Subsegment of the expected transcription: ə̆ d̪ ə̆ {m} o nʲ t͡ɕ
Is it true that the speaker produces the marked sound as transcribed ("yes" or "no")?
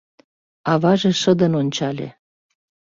no